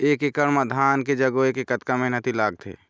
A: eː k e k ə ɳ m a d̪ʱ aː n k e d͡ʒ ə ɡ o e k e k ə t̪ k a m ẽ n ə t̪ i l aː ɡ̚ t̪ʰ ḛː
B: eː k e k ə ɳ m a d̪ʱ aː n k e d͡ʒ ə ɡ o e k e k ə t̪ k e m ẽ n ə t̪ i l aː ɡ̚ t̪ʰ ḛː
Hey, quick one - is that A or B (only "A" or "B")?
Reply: A